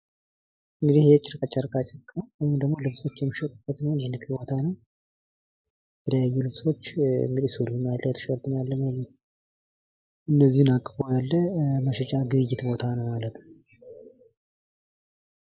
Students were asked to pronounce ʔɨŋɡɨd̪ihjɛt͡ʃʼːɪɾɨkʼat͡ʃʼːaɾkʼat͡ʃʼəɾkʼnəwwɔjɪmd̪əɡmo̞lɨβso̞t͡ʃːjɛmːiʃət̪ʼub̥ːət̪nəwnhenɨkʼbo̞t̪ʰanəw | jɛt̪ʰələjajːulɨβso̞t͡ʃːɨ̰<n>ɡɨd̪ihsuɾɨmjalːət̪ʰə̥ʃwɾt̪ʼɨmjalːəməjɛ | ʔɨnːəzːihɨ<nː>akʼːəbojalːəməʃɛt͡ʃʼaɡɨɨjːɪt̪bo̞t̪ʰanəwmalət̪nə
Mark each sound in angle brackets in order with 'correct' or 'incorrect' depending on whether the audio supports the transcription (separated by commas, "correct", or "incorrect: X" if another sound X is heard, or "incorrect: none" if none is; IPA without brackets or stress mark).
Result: incorrect: ŋ, incorrect: n